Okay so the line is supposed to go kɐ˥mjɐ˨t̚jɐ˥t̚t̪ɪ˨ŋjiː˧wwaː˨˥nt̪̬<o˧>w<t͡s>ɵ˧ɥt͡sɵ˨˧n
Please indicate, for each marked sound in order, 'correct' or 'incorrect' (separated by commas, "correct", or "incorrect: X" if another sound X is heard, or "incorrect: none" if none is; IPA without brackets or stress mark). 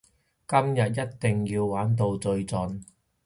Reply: correct, correct